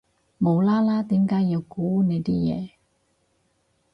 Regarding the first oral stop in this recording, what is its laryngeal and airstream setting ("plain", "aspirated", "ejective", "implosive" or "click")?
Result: plain